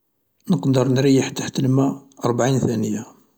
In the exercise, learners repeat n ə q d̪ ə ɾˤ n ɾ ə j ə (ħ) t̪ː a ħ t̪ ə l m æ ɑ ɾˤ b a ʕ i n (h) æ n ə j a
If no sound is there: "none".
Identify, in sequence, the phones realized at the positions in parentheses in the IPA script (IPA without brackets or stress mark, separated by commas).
ħ, θ